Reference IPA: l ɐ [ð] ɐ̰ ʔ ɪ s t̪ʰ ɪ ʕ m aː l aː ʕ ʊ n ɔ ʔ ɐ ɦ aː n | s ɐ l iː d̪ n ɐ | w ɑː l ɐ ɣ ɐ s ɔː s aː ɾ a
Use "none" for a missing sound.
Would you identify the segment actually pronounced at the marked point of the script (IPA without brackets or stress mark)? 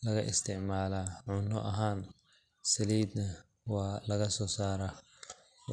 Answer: ɣ